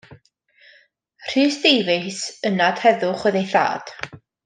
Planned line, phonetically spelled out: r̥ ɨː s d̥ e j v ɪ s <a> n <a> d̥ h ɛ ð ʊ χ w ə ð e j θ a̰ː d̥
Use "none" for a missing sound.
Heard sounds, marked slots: ə, a

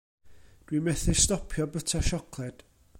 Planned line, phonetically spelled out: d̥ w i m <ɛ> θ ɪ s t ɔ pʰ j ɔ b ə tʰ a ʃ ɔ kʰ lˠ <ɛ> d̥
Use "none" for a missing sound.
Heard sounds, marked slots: ɛ, ɛ

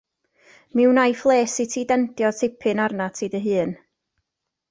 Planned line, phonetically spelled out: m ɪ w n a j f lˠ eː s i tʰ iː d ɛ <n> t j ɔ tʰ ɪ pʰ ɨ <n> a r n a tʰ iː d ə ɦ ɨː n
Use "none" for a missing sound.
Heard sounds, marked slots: n, n

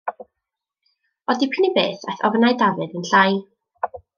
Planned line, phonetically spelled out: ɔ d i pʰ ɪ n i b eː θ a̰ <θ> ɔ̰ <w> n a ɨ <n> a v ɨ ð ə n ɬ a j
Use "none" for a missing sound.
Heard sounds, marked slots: θ, v, d

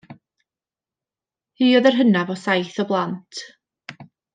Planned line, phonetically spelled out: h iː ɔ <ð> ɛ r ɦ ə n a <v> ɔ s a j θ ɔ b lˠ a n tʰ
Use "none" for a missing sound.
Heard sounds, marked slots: ð, v

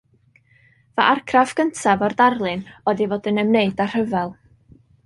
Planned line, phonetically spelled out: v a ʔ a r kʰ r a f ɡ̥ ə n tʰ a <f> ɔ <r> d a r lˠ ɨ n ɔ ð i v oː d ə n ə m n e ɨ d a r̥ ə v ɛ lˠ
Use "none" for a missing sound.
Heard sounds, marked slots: v, r

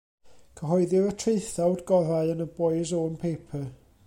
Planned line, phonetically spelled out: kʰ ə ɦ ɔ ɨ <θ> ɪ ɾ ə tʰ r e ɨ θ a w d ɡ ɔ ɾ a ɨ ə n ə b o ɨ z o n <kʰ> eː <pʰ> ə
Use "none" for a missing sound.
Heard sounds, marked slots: ð, pʰ, pʰ

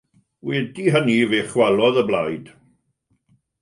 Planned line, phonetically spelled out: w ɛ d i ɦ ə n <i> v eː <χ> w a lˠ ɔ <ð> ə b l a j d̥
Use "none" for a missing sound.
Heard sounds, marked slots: i, χ, ð

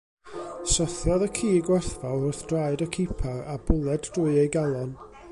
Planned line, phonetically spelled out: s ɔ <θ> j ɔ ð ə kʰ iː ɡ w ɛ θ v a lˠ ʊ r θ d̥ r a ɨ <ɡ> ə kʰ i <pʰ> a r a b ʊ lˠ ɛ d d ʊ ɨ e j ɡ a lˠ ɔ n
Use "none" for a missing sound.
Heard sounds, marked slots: θ, d, pʰ

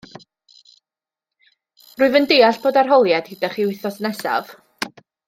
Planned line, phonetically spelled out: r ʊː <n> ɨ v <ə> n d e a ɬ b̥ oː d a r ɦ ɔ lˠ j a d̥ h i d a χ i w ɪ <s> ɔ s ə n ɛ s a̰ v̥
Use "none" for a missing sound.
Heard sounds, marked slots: none, ə, θ

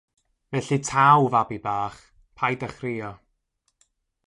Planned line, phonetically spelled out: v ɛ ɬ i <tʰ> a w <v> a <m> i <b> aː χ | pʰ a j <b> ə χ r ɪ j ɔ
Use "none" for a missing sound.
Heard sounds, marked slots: tʰ, v, b, b, d

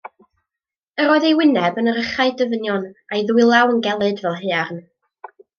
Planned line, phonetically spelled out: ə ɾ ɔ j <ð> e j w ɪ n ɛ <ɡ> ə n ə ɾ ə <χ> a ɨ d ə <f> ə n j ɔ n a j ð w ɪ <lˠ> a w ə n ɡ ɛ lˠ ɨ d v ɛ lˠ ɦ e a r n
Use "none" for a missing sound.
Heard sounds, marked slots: ð, b, χ, v, lˠ

